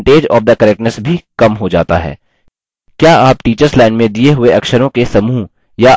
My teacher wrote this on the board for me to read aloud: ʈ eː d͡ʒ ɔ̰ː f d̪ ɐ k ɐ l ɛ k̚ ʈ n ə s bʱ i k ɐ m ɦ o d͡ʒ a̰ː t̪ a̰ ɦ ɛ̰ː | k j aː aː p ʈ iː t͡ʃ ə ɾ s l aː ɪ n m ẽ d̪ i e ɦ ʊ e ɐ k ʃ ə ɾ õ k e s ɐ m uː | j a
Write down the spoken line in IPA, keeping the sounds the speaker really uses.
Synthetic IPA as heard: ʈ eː d͡ʒ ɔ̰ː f d̪ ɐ k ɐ ɾ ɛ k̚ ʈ n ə s bʱ i k ɐ m ɦ o d͡ʒ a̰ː t̪ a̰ ɦ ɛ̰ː | k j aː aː p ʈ iː t͡ʃ ə ɾ s l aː ɪ n m ẽ d̪ i e ɦ ʊ e ɐ k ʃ ə ɾ õ k e s ɐ m uː | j a